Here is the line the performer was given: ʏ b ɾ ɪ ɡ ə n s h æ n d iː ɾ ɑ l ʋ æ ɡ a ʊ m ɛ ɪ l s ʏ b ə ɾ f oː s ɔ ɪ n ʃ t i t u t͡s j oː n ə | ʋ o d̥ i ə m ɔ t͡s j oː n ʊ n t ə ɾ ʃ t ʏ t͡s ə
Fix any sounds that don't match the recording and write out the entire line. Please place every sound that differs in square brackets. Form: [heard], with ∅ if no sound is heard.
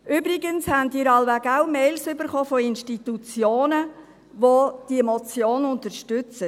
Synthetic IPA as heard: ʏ b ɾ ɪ ɡ ə n s h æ n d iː ɾ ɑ l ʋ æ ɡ a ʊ m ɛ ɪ l s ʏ b ə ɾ [χ] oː [f] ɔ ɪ n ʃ t i t u t͡s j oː n ə | ʋ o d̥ i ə m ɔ t͡s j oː n ʊ n t ə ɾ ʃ t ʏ t͡s ə